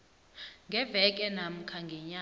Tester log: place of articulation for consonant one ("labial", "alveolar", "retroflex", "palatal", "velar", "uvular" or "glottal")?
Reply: velar